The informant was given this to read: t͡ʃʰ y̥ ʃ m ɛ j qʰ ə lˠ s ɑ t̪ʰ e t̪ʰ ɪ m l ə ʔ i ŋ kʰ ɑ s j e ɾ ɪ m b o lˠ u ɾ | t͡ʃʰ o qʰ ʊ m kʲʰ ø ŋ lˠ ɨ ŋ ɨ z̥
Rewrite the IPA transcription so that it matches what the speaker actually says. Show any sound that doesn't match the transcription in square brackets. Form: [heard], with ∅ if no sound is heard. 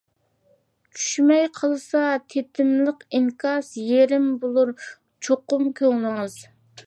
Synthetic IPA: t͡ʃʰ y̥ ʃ m ɛ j qʰ ə lˠ s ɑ t̪ʰ e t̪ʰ ɪ m l ə [q] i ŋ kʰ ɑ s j e ɾ ɪ m b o lˠ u ɾ | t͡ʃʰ o [q] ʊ m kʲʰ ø ŋ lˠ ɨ ŋ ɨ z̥